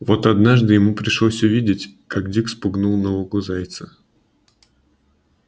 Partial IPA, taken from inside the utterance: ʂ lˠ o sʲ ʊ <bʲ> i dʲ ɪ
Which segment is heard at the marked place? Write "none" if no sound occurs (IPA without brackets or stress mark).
vʲ